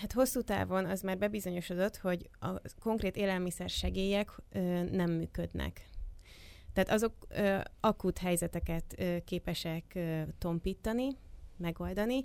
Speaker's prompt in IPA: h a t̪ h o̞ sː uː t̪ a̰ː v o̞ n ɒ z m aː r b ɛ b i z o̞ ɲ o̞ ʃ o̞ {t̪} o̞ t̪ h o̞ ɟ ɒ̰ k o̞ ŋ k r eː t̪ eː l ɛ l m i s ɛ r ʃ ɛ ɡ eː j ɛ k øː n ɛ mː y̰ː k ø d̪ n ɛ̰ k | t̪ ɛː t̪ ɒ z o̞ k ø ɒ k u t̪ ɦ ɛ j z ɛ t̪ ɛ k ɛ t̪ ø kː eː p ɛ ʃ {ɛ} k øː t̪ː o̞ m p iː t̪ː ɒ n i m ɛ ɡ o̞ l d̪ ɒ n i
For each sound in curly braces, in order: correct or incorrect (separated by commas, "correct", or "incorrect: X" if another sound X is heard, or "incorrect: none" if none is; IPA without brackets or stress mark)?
incorrect: d̪, correct